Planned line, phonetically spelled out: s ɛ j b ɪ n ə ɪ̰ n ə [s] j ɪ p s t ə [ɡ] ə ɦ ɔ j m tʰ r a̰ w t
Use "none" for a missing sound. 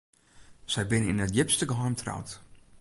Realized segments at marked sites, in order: t, ɡ

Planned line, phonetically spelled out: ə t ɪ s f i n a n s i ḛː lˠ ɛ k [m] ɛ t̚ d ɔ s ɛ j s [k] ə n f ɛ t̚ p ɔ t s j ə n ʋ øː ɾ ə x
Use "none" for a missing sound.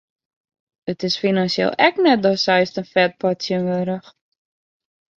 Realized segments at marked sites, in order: n, t

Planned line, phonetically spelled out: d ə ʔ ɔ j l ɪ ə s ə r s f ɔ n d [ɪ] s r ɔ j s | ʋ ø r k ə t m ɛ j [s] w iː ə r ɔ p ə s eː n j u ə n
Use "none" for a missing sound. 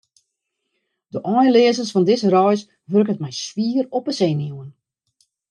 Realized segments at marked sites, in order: ɪ, s

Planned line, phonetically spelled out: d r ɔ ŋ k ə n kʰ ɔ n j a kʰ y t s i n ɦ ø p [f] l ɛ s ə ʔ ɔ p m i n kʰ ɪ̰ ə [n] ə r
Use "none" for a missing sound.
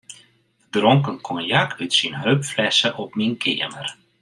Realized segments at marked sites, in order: f, m

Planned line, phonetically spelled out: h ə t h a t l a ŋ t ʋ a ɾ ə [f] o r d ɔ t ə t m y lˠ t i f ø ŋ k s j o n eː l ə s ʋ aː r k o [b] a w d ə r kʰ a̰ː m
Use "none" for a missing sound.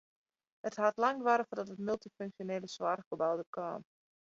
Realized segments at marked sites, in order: f, b

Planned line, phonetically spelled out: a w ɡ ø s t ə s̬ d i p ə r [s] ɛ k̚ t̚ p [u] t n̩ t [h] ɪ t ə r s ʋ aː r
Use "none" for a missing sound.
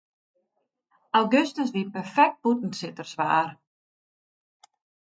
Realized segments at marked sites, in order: f, u, s

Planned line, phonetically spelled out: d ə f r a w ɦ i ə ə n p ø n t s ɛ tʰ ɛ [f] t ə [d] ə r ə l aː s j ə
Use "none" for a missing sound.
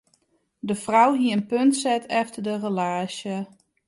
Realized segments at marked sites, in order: f, d

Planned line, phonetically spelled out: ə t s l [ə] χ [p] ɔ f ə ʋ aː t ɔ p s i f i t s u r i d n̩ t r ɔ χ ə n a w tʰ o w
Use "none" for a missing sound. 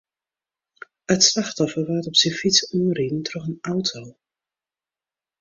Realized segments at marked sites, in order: a, t

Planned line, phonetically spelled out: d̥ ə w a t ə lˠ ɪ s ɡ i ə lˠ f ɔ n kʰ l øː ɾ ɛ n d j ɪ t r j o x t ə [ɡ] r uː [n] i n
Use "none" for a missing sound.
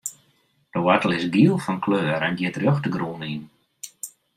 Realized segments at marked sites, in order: ɡ, n

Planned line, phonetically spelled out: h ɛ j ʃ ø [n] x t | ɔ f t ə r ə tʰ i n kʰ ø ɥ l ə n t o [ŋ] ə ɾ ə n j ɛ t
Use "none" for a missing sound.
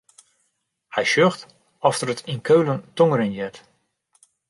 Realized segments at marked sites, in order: none, ŋ

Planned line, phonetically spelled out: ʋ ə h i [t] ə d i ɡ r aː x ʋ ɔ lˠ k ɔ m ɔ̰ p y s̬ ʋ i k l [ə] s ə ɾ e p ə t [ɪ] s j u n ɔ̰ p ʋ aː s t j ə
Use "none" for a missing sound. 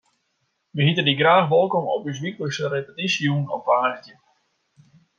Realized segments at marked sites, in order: t, ə, i

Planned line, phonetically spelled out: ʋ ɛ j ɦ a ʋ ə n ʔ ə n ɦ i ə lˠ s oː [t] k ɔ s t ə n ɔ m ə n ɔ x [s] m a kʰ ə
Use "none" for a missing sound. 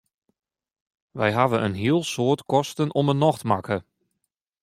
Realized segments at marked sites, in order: t, t

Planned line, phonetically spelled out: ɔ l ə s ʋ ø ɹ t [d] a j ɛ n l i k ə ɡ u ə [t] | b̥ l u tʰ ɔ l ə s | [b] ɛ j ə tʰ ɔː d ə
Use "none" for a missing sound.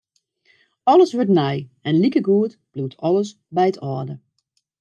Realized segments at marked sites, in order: n, t, b

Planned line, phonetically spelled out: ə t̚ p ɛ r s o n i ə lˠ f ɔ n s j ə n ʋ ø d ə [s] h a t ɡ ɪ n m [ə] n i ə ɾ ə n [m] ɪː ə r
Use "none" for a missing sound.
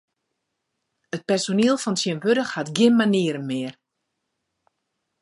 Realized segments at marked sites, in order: x, a, m

